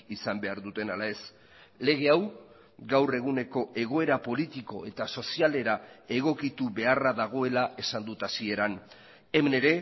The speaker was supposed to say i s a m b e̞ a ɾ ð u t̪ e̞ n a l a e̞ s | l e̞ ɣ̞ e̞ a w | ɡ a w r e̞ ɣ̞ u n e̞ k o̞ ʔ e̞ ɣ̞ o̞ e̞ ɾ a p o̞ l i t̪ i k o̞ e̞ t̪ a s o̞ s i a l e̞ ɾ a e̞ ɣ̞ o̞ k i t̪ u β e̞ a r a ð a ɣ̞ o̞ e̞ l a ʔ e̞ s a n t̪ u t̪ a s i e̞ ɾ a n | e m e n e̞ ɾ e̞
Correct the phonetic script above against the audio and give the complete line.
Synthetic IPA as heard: i s a m b e̞ a ɾ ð u t̪ e̞ n a l a e̞ s | l e̞ ɣ̞ e̞ a w | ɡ a w r e̞ ɣ̞ u n e̞ k o̞ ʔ e̞ ɣ̞ o̞ e̞ ɾ a p o̞ l i t̪ i k o̞ e̞ t̪ a s o̞ s i a l e̞ ɾ a e̞ ɣ̞ o̞ k i t̪ u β e̞ a r a ð a ɣ̞ o̞ e̞ l a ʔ e̞ s a n d̪ u t̪ a s i e̞ ɾ a n | e m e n e̞ ɾ e̞